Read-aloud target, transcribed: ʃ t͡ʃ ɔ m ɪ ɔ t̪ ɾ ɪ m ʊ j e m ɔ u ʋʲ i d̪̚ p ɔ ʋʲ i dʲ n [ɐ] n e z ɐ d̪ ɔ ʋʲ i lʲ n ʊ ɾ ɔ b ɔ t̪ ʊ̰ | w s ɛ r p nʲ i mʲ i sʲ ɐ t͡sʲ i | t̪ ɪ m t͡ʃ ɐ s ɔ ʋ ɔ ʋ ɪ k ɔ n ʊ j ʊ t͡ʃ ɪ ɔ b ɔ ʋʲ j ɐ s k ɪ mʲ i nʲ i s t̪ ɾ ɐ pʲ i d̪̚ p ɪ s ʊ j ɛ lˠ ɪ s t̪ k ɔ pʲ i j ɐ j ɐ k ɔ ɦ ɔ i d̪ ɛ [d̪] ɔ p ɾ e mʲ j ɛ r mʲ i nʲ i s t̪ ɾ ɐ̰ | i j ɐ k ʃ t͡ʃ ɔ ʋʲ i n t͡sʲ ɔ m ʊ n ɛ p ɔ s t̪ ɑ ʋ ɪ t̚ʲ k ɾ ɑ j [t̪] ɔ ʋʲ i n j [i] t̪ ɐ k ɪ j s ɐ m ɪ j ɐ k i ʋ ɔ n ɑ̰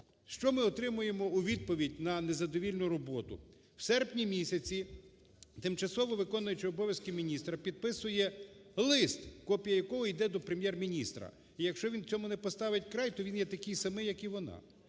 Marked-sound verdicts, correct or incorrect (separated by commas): correct, correct, correct, incorrect